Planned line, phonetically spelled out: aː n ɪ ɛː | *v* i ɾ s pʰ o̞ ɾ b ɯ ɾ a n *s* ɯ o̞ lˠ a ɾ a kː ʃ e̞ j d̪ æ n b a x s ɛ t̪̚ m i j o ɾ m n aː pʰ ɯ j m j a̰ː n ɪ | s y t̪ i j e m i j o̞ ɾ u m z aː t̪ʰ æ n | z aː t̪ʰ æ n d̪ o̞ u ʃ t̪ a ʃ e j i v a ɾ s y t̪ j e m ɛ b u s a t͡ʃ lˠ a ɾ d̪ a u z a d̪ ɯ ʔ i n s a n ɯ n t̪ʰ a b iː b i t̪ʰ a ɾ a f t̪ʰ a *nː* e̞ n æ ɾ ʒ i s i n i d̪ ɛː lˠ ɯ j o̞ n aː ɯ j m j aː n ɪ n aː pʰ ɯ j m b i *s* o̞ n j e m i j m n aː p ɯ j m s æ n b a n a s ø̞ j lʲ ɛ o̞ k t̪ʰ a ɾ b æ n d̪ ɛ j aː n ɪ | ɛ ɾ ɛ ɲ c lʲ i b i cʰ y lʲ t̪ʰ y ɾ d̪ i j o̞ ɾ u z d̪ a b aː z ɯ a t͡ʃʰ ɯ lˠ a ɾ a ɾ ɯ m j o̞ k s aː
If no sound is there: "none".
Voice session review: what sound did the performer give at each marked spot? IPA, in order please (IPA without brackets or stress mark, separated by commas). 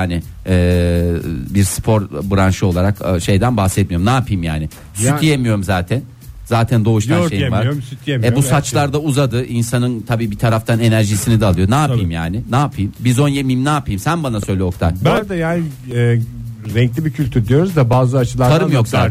b, ʃ, n, z